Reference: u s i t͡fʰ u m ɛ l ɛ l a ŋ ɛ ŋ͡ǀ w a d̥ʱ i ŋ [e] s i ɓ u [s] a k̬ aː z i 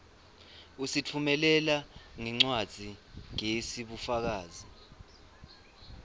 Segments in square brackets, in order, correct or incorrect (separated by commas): correct, incorrect